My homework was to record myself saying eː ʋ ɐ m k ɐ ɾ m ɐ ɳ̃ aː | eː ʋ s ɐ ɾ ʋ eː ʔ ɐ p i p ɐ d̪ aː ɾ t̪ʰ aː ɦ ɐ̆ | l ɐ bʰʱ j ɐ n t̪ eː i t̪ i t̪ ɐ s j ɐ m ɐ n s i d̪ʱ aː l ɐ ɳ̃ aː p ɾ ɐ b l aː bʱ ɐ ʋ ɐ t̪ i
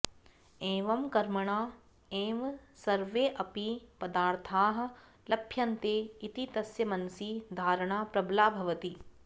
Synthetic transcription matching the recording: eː ʋ ɐ m k ɐ ɾ m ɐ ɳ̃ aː | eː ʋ s ɐ ɾ ʋ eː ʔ ɐ p i p ɐ d̪ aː ɾ t̪ʰ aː ɦ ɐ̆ | l ɐ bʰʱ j ɐ n t̪ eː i t̪ i t̪ ɐ s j ɐ m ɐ n s i d̪ʱ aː ɾ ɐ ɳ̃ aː p ɾ ɐ b l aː bʱ ɐ ʋ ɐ t̪ i

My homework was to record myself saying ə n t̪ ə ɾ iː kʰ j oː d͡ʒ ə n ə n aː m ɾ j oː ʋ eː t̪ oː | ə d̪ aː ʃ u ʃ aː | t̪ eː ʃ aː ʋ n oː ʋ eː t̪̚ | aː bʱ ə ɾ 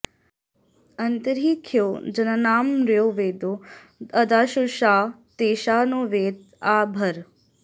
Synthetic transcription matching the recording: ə n t̪ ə ɾ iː kʰ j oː d͡ʒ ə n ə n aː m ɾ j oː ʋ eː d̪ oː | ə d̪ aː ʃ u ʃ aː | t̪ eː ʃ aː n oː ʋ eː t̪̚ | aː bʱ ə ɾ

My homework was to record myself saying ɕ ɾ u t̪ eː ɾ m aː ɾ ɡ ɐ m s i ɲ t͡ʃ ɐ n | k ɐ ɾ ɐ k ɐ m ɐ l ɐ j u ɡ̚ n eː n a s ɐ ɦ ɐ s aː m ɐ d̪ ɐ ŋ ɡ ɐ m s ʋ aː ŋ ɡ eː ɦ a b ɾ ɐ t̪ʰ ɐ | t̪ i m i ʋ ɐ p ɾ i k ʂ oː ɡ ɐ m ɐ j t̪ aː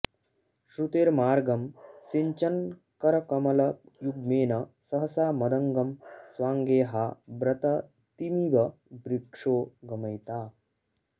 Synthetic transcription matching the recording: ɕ ɾ u t̪ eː ɾ m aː ɾ ɡ ɐ m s i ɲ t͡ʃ ɐ n | k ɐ ɾ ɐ k ɐ m ɐ l ɐ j u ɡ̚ m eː n ɐ s ɐ ɦ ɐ s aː m ɐ d̪ ɐ ŋ ɡ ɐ m s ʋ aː ŋ ɡ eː ɦ a b ɾ ɐ t̪ ɐ | t̪ i m i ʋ ɐ b ɾ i k ʂ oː ɡ ɐ m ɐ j t̪ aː

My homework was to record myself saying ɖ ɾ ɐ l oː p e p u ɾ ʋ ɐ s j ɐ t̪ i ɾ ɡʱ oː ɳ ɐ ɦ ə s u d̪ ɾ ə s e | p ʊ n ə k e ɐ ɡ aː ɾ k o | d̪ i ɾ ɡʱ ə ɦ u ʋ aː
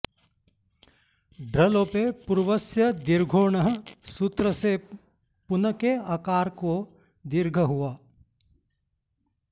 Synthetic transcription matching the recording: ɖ ɾ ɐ l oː p e p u ɾ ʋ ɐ s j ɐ d̪ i ɾ ɡʱ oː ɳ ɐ ɦ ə s u t̪ ɾ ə s e | p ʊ n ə k e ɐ k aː ɾ k o | d̪ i ɾ ɡʱ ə ɦ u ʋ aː

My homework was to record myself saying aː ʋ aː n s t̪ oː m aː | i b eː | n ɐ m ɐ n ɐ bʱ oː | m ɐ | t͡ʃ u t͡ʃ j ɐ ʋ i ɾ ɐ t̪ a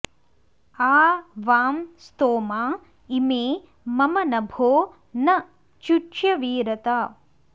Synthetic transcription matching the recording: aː ʋ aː m s t̪ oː m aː | i m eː | m ɐ m ɐ n ɐ bʱ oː | n ɐ | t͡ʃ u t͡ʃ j ɐ ʋ iː ɾ ɐ t̪ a

